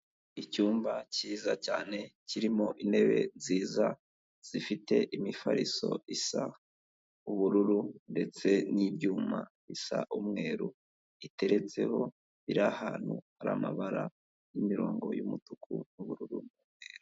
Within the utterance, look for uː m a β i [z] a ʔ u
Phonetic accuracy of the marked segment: incorrect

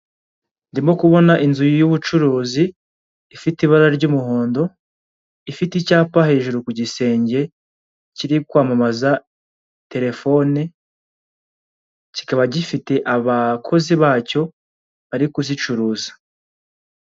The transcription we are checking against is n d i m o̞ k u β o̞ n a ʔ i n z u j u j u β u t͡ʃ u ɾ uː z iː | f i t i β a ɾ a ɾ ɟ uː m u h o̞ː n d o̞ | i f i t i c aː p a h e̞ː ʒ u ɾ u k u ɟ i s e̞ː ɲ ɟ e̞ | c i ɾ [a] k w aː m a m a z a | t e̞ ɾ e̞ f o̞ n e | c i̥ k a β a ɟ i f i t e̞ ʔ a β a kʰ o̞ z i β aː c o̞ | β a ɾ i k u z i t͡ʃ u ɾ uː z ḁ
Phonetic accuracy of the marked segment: incorrect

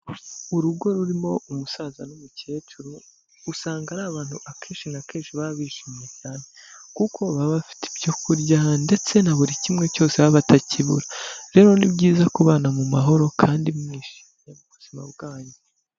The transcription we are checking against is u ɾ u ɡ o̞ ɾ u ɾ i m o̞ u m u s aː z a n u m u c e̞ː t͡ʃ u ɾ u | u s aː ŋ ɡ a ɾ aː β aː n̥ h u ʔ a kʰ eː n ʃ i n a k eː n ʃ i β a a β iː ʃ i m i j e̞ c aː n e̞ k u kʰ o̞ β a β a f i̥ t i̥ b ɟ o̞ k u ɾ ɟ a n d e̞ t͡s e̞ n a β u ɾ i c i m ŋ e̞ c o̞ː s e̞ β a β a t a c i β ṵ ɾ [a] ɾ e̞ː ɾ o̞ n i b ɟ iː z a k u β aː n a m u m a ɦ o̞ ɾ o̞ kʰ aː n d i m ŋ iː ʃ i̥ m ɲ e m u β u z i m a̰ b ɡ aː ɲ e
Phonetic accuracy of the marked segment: correct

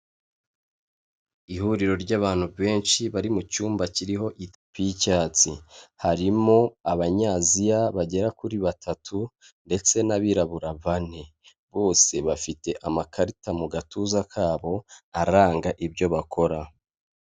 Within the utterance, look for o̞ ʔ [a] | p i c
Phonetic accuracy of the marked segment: incorrect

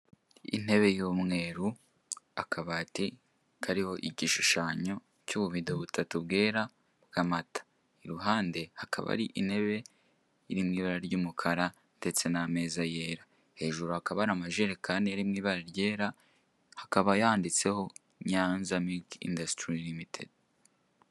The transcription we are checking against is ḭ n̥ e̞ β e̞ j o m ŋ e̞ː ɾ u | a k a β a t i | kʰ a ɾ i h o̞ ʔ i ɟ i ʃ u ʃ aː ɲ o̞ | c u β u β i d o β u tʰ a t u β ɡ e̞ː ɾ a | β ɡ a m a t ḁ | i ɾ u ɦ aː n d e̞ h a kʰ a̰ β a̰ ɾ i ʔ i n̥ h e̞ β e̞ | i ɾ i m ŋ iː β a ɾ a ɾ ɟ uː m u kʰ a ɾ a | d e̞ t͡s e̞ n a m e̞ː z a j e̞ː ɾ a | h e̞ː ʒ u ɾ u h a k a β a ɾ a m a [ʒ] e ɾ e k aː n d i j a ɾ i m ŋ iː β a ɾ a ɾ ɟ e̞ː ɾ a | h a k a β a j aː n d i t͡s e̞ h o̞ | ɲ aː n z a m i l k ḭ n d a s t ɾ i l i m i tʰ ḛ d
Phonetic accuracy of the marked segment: correct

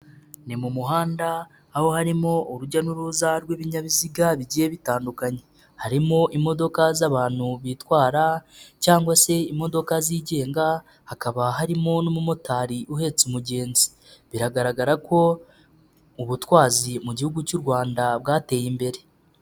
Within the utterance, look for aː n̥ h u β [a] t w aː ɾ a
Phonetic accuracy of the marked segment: incorrect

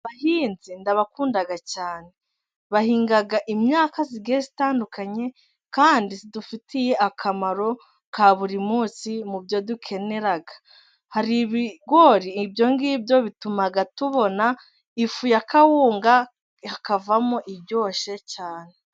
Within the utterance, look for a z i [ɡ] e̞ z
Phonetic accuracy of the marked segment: correct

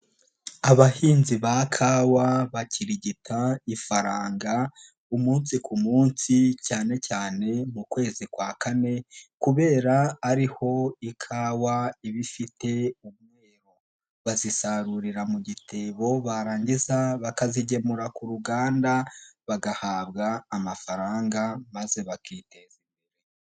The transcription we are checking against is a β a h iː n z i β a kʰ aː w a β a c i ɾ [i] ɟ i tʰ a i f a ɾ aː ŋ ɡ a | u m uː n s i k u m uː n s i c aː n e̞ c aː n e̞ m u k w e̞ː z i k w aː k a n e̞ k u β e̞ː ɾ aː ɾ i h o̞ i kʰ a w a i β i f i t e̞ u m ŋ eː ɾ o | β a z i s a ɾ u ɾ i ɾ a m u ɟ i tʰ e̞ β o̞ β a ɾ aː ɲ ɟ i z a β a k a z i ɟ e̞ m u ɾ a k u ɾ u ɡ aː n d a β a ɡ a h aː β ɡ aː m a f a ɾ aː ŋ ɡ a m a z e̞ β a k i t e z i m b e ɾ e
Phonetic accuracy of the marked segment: correct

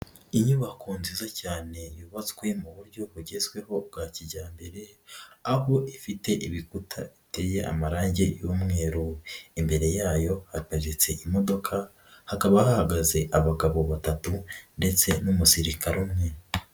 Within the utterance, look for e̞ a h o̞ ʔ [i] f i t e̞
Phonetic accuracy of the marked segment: correct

